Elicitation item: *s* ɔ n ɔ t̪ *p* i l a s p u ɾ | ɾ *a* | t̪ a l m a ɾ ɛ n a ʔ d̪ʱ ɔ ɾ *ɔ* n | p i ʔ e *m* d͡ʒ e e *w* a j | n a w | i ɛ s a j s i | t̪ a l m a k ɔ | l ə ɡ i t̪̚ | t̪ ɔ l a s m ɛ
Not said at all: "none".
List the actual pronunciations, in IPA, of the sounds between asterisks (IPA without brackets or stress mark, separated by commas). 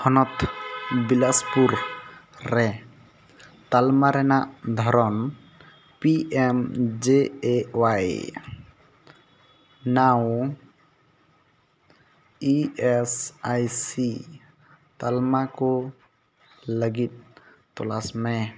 h, b, ɛ, ɔ, m, w